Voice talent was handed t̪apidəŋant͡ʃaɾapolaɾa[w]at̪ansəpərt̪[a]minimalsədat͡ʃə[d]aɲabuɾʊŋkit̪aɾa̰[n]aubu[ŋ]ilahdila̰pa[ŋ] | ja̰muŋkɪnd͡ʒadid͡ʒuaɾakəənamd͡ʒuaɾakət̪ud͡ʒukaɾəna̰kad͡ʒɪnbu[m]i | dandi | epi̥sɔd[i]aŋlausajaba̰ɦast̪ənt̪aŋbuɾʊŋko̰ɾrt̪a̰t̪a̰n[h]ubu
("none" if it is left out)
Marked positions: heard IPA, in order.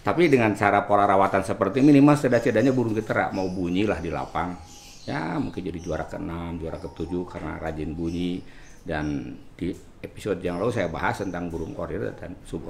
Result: w, i, d, m, ɲ, ŋ, ɲ, j, s

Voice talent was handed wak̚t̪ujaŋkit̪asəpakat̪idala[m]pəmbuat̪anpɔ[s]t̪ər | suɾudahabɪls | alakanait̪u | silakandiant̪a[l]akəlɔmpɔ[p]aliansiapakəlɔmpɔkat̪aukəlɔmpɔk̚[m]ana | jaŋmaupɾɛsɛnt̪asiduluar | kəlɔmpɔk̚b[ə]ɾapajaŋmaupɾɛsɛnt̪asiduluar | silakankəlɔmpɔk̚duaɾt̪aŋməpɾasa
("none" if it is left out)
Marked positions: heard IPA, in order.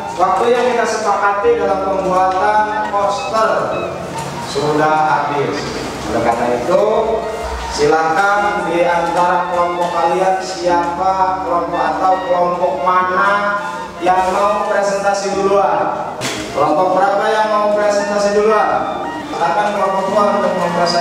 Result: m, s, ɾ, k, m, ə

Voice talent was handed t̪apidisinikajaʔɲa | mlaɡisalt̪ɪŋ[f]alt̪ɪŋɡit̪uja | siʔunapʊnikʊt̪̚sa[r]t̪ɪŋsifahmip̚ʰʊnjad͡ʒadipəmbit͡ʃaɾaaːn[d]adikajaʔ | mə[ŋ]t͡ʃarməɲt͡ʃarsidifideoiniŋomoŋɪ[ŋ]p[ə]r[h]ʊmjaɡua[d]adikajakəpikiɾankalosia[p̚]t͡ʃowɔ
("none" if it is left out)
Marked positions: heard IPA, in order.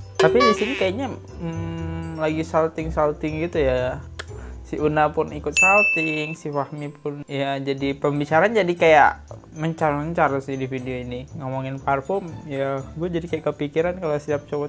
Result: s, l, d͡ʒ, ɲ, n, a, f, d͡ʒ, p̚

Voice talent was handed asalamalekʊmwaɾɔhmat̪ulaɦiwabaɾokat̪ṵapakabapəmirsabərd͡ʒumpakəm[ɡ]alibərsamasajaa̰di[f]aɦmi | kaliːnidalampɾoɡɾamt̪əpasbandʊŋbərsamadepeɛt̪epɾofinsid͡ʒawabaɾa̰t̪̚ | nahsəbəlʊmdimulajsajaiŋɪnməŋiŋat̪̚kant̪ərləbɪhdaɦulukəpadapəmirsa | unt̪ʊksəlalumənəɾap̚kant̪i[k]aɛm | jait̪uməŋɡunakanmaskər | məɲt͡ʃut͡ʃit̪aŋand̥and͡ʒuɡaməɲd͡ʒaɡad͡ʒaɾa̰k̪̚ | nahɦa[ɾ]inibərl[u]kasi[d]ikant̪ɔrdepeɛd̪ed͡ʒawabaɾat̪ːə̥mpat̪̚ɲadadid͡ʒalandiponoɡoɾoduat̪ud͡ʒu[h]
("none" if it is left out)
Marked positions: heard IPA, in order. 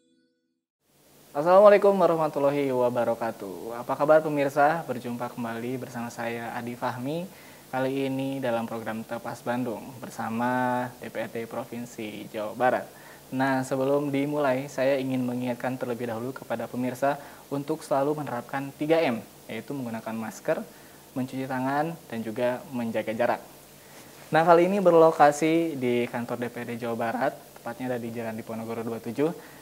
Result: b, f, ɡ, l, o, d, h

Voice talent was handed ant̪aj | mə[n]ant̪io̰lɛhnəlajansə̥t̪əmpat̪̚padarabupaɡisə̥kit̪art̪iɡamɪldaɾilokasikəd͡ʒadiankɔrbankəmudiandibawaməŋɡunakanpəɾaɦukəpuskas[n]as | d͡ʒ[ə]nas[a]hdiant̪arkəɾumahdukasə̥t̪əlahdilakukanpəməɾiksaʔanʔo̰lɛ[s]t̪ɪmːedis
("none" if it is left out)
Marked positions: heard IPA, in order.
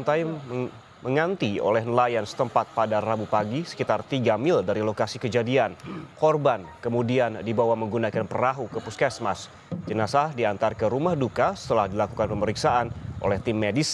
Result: ŋ, m, ə, a, h

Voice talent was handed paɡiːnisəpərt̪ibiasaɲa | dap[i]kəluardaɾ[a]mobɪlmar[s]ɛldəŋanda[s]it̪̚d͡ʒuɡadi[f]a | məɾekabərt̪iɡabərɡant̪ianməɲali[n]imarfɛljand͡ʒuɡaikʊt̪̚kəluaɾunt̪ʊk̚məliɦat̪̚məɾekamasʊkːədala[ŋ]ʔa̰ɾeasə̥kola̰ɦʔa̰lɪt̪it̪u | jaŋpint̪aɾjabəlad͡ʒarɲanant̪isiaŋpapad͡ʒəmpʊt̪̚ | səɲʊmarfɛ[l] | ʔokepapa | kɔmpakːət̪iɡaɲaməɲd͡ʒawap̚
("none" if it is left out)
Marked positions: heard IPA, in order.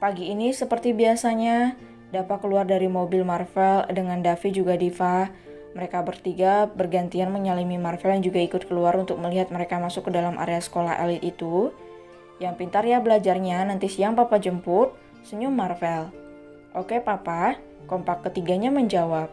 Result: a, i, f, f, f, m, m, l

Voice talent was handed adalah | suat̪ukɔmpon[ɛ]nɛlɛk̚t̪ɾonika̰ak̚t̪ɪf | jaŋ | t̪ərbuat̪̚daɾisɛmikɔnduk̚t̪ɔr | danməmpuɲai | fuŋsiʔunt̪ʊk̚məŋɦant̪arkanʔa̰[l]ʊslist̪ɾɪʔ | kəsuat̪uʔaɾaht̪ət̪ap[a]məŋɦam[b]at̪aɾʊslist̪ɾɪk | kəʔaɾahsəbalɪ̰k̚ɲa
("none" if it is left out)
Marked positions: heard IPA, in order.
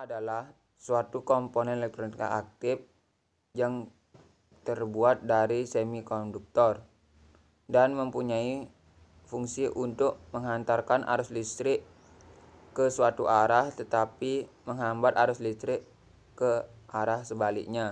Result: ɛ, ɾ, i, b

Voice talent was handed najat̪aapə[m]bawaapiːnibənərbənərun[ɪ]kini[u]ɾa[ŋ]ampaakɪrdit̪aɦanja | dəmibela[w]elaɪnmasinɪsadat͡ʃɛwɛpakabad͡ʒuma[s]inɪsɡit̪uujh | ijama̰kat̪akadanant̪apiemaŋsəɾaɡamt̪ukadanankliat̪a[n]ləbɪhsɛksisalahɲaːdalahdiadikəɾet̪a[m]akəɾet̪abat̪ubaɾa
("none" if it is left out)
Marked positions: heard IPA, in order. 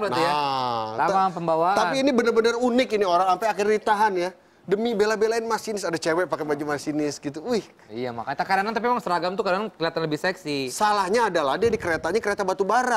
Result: m, ɪ, o, ŋ, b, s, n, ɲ

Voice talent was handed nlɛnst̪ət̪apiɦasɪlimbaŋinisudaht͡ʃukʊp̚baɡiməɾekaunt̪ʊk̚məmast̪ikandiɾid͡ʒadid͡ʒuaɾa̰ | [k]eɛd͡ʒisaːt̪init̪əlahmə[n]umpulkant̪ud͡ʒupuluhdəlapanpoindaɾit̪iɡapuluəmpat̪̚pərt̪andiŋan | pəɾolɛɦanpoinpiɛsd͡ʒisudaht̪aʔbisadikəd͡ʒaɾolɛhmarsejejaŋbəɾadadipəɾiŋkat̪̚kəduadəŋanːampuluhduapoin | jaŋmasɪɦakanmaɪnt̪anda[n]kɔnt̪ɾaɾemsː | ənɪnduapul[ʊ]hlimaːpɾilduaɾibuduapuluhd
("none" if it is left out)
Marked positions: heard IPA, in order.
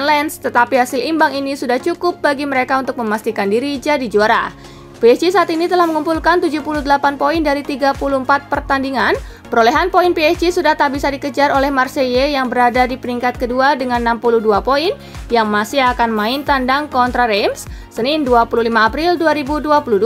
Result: p, ŋ, ŋ, u

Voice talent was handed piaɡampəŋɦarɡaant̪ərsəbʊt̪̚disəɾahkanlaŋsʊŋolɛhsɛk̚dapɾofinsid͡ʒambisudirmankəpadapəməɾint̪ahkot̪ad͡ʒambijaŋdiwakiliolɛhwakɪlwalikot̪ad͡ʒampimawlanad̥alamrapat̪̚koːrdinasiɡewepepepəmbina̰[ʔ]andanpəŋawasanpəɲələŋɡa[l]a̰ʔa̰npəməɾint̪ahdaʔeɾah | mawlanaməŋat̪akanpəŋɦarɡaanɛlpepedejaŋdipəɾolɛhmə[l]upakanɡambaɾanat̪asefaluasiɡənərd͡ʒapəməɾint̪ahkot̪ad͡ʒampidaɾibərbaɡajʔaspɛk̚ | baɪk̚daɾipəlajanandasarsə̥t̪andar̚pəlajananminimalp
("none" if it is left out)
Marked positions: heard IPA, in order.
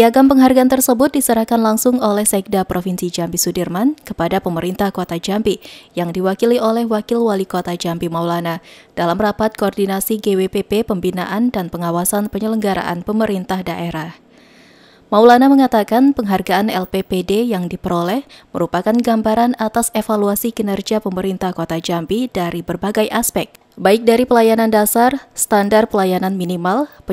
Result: ʔ, ɾ, ɾ

